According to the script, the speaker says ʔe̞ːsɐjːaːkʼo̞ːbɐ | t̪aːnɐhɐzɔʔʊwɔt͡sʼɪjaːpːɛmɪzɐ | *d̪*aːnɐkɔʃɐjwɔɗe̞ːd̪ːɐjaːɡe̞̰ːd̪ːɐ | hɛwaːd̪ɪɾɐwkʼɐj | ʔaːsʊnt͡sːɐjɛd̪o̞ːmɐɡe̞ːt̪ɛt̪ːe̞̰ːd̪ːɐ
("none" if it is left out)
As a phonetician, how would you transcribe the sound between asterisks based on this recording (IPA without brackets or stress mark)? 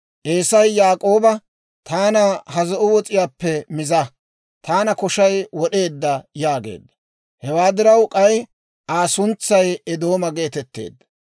t̪